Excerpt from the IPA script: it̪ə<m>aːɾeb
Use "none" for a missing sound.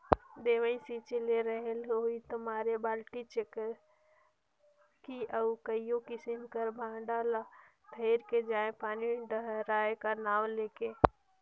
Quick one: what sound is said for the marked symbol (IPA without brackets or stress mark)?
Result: m